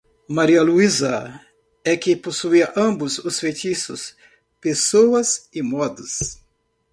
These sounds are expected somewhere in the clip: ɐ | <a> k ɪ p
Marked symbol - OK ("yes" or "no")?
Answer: no